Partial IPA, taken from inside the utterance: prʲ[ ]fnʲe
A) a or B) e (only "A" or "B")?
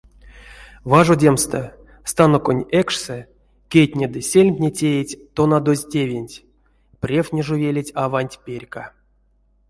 B